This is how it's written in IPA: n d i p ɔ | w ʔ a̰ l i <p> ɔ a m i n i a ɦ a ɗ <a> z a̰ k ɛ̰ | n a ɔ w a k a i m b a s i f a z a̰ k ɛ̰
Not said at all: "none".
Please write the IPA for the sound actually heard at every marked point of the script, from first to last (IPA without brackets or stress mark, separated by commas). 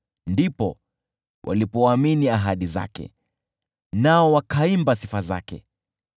p, i